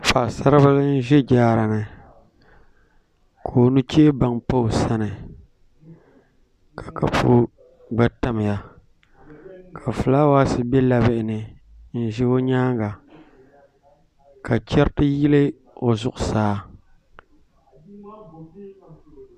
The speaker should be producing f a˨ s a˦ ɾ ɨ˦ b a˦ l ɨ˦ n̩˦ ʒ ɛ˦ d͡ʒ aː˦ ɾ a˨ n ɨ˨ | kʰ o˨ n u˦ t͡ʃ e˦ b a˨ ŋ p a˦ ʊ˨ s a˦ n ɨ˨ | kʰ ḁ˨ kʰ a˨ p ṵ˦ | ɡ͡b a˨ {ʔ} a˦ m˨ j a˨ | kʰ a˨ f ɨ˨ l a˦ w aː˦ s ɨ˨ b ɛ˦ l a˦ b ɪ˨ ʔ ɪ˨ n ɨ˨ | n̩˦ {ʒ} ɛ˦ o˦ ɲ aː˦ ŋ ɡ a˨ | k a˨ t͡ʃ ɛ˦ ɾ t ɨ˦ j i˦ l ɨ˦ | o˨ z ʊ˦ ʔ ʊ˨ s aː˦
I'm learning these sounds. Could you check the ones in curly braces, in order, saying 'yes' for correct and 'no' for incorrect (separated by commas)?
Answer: no, yes